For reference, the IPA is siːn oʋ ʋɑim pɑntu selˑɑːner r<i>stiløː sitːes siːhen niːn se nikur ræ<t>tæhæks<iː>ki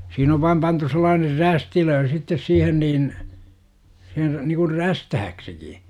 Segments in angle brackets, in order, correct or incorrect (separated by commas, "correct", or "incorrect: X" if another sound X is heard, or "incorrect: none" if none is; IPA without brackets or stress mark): incorrect: æ, incorrect: s, incorrect: i